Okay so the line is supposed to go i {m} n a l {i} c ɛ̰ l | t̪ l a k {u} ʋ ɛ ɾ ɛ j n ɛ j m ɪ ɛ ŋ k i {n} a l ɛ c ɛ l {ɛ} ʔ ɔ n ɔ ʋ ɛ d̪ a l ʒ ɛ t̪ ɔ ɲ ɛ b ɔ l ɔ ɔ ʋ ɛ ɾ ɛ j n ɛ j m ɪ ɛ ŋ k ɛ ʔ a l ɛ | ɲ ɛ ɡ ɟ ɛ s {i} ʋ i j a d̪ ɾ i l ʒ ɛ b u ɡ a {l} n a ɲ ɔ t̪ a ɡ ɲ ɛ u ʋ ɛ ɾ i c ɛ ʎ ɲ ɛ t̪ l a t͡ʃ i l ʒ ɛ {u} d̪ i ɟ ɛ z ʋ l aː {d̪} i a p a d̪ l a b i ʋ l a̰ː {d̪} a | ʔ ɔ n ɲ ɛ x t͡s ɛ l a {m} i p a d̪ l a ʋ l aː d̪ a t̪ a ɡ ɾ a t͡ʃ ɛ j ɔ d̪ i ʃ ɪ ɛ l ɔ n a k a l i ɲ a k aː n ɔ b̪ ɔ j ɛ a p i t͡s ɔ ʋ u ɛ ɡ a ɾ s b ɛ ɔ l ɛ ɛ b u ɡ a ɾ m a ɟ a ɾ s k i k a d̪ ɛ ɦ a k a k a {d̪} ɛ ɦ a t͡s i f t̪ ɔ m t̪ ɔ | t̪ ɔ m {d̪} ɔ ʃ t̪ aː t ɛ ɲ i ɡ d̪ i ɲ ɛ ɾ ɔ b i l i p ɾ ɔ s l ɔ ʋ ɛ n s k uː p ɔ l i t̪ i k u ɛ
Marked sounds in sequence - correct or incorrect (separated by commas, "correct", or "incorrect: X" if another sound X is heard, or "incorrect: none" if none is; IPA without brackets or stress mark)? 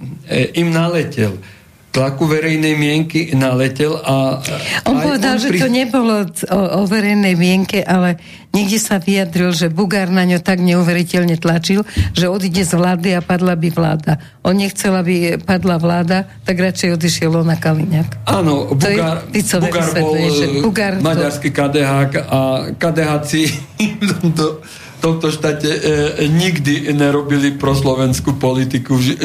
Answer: correct, incorrect: ɛ, correct, correct, incorrect: a, incorrect: a, incorrect: ɾ, incorrect: ɔ, correct, correct, incorrect: b, correct, incorrect: t̪